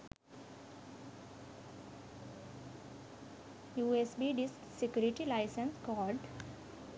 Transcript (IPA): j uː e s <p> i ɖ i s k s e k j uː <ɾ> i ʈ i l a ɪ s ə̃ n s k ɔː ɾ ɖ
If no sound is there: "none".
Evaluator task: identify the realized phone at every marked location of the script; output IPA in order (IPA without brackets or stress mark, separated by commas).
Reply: b, ɾ